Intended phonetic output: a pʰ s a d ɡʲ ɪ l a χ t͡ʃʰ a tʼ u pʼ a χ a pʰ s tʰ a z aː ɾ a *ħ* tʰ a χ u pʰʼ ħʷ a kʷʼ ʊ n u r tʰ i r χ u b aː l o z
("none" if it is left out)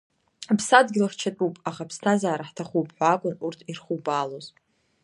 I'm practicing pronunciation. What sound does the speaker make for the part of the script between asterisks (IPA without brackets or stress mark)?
ħ